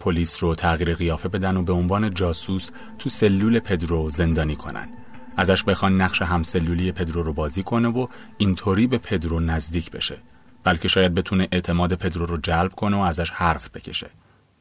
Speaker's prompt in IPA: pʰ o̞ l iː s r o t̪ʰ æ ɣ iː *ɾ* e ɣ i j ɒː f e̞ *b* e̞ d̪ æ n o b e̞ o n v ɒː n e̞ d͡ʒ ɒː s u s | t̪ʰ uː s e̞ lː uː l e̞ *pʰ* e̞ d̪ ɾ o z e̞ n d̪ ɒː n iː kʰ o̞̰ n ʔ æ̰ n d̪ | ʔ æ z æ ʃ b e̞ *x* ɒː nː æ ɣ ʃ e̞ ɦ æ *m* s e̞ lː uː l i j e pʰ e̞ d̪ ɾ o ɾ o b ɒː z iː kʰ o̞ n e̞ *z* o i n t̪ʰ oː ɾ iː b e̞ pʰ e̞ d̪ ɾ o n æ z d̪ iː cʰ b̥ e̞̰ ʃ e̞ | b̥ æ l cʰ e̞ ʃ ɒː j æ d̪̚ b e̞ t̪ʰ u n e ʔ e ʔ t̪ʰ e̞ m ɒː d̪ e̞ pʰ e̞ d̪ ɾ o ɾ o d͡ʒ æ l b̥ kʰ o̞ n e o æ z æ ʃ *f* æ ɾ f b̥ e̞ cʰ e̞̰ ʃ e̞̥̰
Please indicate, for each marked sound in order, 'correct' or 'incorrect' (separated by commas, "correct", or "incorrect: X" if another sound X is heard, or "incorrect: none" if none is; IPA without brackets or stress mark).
correct, correct, correct, correct, correct, incorrect: v, incorrect: h